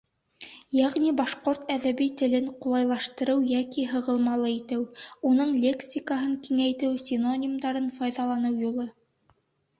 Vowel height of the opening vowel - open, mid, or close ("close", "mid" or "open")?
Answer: open